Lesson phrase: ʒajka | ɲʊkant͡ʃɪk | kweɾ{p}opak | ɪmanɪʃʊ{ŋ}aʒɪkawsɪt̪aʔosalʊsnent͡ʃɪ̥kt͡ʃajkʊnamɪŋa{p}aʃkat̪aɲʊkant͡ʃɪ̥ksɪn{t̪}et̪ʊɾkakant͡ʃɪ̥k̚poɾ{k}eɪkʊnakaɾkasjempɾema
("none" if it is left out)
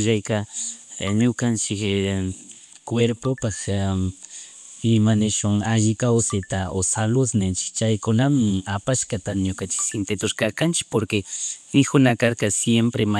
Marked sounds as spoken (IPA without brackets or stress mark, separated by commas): p, ŋ, p, t̪, k